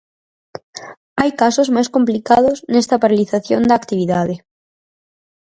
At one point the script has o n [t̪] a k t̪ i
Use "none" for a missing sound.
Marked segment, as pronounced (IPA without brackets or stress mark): d̪